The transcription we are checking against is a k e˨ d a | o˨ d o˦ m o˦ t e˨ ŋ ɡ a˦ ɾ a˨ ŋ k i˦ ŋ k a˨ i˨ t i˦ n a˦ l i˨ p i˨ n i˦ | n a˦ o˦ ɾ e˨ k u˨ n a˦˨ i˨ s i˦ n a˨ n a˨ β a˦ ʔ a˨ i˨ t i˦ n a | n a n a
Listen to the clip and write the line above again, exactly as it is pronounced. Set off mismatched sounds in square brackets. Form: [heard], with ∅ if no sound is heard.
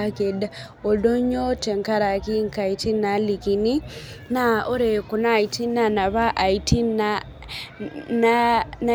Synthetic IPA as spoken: a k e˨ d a | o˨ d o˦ [ɲ] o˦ t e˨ ŋ [k] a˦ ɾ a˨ [∅] k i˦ ŋ k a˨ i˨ t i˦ n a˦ l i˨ [k] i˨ n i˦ | n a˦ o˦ ɾ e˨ k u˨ n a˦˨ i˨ [t] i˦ n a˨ n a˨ β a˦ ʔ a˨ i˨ t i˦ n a | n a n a